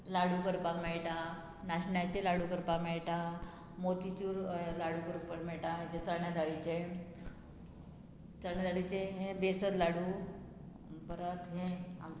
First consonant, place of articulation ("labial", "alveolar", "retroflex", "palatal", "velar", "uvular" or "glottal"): alveolar